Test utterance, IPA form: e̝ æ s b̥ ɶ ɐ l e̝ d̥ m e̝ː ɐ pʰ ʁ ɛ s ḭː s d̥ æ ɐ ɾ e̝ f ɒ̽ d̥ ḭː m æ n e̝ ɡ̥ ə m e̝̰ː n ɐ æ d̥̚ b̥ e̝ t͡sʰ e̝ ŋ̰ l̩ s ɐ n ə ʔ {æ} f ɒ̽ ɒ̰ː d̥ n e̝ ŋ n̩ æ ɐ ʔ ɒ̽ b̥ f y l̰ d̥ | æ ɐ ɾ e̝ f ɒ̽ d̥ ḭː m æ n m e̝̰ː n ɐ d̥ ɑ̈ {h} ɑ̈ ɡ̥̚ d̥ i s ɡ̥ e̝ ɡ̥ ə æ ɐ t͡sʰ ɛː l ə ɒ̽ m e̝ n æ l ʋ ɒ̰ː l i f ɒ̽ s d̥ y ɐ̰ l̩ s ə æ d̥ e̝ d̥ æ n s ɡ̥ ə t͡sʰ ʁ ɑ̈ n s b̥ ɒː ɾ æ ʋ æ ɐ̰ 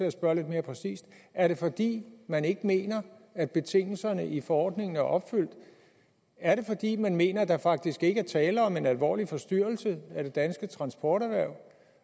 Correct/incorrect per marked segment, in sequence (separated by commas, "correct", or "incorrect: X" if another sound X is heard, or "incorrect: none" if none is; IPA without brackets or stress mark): incorrect: i, incorrect: f